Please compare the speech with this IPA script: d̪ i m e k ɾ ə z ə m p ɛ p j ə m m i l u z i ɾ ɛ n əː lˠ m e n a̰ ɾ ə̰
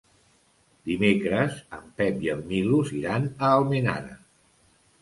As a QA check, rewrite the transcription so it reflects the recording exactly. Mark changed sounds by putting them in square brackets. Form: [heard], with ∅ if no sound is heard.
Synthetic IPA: d̪ i m e k ɾ ə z ə m p ɛ p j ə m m i l u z i ɾ [a] n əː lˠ m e n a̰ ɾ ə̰